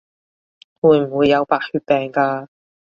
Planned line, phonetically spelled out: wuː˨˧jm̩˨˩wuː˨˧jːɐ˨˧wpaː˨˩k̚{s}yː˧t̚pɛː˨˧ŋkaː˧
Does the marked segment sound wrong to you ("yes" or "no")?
yes